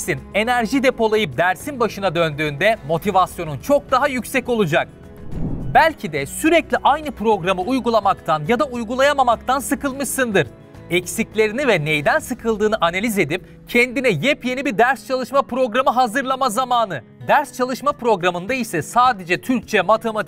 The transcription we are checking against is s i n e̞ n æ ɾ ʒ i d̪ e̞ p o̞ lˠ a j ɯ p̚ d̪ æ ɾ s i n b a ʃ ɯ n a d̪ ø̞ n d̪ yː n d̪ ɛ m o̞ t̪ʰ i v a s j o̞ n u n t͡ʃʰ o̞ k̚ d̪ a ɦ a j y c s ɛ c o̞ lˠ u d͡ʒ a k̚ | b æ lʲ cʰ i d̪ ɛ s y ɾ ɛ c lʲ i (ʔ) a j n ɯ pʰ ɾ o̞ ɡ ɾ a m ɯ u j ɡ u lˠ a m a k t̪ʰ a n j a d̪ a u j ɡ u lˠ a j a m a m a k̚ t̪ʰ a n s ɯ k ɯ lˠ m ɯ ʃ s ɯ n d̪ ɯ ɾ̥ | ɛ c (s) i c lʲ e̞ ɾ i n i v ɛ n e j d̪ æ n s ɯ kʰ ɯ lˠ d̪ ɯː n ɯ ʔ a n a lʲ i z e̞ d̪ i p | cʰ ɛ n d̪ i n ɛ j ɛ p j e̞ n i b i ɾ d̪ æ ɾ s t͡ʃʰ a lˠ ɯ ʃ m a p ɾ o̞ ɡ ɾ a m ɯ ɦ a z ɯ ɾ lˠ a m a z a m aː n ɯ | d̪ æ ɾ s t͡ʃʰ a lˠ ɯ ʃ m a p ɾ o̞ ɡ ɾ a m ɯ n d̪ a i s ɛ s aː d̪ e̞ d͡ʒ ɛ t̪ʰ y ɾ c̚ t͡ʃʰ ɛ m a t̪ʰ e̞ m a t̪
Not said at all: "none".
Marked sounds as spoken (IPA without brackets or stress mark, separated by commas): ʔ, s